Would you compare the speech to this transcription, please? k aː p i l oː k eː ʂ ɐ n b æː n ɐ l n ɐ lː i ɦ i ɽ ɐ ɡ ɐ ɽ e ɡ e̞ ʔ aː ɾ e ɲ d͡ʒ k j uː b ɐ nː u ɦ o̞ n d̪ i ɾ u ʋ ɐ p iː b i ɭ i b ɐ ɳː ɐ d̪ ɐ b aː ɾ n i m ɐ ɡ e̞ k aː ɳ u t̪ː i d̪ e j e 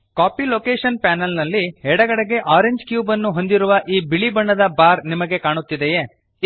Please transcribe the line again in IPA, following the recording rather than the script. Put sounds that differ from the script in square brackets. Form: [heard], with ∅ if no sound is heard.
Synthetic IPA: k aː p i l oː k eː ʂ ɐ n [p] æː n ɐ l n ɐ lː i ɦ [ɛ] ɽ ɐ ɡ ɐ ɽ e ɡ e̞ ʔ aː ɾ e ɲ d͡ʒ k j uː b ɐ nː u ɦ o̞ n d̪ i ɾ u ʋ ɐ [ʔ] iː b i ɭ i b ɐ ɳː ɐ d̪ ɐ b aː ɾ n i m ɐ ɡ e̞ k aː ɳ u t̪ː i d̪ e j e